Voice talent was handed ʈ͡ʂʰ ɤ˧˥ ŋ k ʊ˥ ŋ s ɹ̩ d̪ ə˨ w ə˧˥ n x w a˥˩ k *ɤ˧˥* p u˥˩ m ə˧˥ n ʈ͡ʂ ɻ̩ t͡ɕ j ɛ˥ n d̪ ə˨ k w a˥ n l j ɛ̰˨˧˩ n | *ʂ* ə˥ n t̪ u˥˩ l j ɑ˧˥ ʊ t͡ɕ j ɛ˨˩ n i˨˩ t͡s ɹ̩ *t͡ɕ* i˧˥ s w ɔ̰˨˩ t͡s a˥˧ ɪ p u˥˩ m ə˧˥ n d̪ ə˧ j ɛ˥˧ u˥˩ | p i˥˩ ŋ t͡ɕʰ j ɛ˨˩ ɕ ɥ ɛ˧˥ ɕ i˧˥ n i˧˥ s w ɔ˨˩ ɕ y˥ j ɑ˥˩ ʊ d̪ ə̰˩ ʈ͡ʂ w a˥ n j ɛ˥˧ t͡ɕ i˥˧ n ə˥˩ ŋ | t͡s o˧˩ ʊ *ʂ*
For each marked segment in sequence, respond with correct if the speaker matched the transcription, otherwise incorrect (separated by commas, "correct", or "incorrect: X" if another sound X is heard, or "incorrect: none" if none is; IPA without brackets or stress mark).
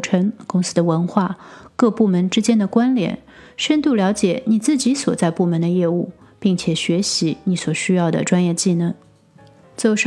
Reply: incorrect: ɤ˥˧, correct, correct, correct